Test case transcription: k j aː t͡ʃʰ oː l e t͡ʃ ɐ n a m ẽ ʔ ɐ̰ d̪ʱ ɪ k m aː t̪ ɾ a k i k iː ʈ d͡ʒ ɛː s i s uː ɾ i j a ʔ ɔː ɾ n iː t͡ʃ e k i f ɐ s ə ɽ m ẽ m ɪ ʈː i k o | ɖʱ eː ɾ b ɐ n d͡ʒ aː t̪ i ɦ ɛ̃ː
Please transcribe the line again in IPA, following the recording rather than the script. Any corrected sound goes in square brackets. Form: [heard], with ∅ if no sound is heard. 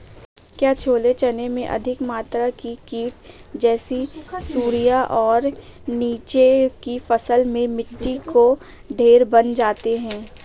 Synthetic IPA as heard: k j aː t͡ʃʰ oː l e t͡ʃ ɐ n [e] m ẽ ʔ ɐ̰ d̪ʱ ɪ k m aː t̪ ɾ a k i k iː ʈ d͡ʒ ɛː s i s uː ɾ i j a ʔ ɔː ɾ n iː t͡ʃ e k i f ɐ s ə [l] m ẽ m ɪ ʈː i k o | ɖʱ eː ɾ b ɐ n d͡ʒ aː t̪ [e] ɦ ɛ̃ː